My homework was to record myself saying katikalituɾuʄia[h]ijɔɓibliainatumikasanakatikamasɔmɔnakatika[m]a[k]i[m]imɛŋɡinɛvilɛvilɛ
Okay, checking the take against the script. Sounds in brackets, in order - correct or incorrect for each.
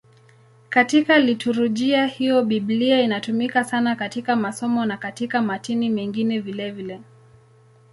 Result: correct, correct, incorrect: t, incorrect: n

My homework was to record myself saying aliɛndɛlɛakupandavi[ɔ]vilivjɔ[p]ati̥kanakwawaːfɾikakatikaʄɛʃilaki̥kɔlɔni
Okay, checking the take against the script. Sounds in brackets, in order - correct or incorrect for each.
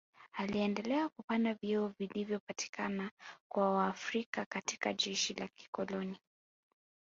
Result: correct, correct

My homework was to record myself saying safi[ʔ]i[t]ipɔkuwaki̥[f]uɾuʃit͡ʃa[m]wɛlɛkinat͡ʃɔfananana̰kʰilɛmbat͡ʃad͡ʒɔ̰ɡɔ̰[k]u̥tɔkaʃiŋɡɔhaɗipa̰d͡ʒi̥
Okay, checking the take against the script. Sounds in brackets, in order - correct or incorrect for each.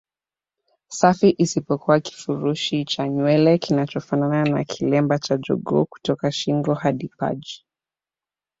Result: correct, incorrect: s, correct, incorrect: ɲ, correct

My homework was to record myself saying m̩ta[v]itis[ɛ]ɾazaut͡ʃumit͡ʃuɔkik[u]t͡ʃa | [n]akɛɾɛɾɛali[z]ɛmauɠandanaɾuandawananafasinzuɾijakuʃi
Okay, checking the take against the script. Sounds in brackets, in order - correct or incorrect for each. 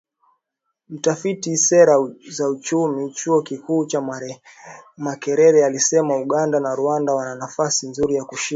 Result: incorrect: f, correct, incorrect: uː, incorrect: m, incorrect: s

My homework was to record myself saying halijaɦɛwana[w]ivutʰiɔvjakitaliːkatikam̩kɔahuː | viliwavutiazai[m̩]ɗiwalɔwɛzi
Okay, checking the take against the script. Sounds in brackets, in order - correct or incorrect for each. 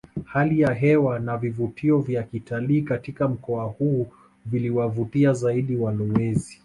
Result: incorrect: v, incorrect: none

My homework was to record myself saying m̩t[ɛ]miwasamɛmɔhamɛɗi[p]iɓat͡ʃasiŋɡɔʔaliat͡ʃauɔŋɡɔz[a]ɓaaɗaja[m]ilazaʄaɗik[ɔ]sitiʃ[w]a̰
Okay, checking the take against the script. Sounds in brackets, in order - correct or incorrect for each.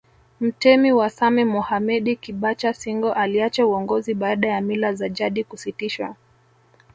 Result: correct, incorrect: k, incorrect: i, correct, incorrect: u, correct

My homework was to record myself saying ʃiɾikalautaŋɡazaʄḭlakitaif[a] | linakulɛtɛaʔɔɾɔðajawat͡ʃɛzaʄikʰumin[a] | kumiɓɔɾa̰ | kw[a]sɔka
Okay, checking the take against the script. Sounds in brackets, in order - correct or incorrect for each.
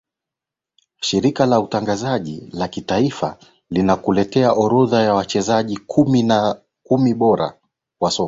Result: correct, correct, correct

